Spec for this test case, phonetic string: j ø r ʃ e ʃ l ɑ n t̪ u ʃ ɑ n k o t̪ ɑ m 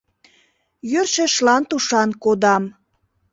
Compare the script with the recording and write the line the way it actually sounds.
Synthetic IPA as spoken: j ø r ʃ e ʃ l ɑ n t̪ u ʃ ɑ n k o d̪ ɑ m